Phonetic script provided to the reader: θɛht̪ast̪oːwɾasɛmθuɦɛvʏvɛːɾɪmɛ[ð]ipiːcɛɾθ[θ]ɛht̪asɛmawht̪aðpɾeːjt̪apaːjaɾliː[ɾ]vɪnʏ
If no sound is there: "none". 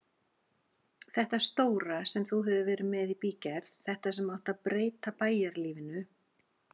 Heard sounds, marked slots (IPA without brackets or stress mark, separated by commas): ð, θ, none